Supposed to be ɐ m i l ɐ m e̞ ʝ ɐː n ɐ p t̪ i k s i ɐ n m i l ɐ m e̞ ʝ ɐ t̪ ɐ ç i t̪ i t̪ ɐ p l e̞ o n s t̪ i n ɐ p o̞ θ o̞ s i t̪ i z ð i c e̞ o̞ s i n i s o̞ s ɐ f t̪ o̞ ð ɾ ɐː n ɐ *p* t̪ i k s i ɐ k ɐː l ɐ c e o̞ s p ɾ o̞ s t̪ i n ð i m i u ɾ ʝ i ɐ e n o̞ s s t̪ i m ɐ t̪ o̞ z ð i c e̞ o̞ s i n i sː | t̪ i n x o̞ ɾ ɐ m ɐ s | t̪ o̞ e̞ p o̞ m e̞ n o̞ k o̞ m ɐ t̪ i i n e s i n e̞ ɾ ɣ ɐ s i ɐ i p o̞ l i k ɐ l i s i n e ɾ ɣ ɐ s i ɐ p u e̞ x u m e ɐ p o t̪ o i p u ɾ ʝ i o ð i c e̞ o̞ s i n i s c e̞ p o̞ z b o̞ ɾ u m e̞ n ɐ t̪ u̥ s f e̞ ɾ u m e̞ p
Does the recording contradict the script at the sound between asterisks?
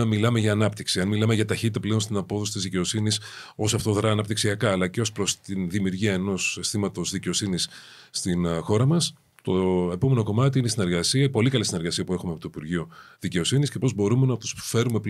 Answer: no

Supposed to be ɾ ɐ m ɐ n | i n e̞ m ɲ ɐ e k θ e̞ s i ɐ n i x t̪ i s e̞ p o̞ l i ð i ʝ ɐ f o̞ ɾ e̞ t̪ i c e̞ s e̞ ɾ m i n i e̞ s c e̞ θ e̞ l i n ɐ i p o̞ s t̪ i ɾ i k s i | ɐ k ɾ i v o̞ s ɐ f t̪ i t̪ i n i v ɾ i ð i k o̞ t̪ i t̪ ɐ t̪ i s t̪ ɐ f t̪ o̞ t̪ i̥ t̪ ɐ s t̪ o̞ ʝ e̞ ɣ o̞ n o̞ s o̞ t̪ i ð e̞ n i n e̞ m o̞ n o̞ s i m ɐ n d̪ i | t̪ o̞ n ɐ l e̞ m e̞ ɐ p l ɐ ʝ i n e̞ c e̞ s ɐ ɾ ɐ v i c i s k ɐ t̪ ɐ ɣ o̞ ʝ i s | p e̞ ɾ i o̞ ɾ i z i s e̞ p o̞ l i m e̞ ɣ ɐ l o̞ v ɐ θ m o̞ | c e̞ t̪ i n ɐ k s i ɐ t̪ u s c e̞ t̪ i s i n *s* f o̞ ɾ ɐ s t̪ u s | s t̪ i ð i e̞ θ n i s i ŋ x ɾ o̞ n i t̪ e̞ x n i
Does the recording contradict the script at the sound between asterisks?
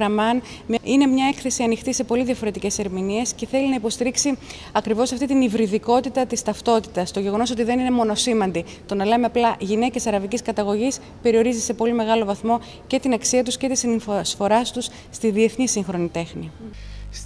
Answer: no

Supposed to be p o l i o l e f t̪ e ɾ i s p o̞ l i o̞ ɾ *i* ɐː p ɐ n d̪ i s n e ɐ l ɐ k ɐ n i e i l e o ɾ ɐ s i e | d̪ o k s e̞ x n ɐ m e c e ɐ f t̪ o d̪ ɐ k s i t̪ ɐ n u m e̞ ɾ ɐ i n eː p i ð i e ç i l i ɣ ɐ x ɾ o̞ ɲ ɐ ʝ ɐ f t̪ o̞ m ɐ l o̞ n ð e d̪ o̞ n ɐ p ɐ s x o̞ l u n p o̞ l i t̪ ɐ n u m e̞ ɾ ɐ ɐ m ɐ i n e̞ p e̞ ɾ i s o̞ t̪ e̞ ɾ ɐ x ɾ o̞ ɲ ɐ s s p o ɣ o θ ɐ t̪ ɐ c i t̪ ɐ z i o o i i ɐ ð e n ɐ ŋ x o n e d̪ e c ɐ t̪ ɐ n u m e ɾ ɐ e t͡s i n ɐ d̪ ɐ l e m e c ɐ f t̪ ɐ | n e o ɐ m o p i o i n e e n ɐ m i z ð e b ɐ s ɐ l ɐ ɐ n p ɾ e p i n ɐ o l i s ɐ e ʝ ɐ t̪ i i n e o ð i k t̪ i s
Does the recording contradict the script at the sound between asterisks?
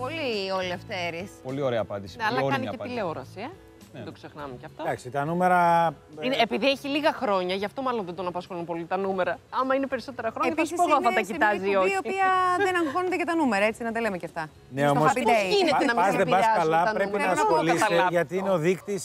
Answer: yes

